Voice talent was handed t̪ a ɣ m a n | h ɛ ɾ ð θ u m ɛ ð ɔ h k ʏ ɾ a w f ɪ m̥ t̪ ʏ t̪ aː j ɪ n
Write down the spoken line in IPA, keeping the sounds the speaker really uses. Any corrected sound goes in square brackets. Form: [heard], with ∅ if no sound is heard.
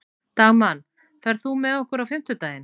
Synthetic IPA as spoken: t̪ a ɣ m a n | [f] ɛ ɾ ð θ u m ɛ ð ɔ h k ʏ ɾ a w f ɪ m̥ t̪ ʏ t̪ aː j ɪ n